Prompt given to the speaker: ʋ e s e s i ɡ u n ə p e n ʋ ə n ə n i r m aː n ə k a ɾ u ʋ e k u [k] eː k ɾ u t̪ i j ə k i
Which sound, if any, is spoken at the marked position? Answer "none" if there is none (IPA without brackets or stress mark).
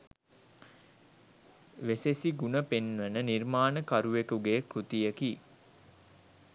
ɡ